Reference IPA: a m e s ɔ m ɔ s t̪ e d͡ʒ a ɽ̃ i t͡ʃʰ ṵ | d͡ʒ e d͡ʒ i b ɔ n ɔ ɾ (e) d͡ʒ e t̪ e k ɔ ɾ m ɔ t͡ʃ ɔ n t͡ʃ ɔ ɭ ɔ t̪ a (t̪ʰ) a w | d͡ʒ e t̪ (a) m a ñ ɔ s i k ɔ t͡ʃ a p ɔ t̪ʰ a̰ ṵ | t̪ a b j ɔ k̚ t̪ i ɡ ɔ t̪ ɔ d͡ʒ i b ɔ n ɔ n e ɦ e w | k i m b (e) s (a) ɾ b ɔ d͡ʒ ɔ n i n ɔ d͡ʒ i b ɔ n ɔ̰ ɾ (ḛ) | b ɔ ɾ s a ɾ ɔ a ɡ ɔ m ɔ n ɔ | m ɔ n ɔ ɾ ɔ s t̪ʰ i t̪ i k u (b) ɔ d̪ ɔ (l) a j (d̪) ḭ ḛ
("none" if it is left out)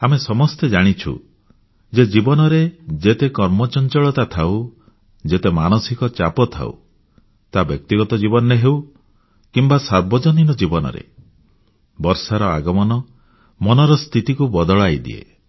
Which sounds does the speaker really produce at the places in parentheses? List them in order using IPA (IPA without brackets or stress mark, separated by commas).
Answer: e, t̪ʰ, e, a, a, ḛ, b, ɭ, d̪